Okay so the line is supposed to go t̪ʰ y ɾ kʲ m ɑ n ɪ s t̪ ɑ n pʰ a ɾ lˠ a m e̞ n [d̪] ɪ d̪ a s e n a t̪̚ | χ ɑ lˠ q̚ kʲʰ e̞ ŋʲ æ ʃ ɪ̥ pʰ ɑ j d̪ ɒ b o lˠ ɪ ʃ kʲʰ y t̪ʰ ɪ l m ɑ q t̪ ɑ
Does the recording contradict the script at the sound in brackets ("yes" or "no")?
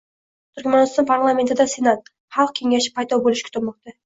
yes